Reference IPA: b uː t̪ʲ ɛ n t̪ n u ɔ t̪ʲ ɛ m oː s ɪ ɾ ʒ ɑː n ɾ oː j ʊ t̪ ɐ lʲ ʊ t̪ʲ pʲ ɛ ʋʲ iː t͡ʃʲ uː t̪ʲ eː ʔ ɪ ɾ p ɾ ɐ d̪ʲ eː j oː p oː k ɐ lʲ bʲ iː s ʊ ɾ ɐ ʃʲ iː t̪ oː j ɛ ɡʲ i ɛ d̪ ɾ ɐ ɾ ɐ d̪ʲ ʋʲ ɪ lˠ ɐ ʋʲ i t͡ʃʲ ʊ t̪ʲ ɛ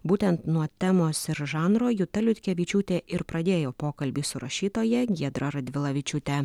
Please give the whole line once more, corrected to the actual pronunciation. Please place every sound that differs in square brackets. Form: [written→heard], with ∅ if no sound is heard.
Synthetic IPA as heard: b uː t̪ʲ ɛ n t̪ n u ɔ t̪ʲ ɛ m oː s ɪ ɾ ʒ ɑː n ɾ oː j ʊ t̪ ɐ lʲ ʊ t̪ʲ [pʲ→kʲ] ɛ ʋʲ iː t͡ʃʲ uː t̪ʲ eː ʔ ɪ ɾ p ɾ ɐ d̪ʲ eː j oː p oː k ɐ lʲ bʲ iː s ʊ ɾ ɐ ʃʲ iː t̪ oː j ɛ ɡʲ i ɛ d̪ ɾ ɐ ɾ ɐ d̪ʲ ʋʲ ɪ lˠ ɐ ʋʲ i t͡ʃʲ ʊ t̪ʲ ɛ